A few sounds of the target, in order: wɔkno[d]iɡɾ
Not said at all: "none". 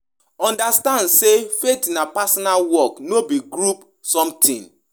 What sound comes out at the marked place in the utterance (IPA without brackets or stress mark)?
b